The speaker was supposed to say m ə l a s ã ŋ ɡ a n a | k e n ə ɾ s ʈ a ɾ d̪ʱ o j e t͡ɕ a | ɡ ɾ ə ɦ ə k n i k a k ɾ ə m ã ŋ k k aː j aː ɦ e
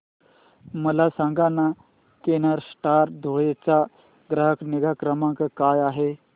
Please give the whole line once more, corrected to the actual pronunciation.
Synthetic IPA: m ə l a s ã ŋ ɡ a n a | k e n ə ɾ s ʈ a ɾ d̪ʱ o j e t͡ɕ a | ɡ ɾ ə ɦ ə k n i ɡ a k ɾ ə m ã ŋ k k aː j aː ɦ e